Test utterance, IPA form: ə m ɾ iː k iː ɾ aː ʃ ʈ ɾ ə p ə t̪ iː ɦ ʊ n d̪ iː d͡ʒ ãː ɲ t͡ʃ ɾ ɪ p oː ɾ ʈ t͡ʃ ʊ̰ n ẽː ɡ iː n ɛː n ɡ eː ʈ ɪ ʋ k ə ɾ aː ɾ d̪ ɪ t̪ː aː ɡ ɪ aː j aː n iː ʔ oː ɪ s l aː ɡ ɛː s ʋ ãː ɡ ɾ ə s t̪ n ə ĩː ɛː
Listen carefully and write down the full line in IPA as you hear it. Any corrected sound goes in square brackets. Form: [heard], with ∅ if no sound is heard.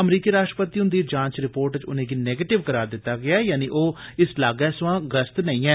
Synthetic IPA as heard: ə m ɾ iː k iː ɾ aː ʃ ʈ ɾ ə p ə t̪ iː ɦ ʊ n d̪ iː d͡ʒ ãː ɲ t͡ʃ ɾ ɪ p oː ɾ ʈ t͡ʃ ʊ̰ n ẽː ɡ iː n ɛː [∅] ɡ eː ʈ ɪ ʋ k ə ɾ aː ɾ d̪ ɪ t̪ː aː ɡ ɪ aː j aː n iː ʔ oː ɪ s l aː ɡ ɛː s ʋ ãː ɡ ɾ ə s t̪ n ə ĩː ɛː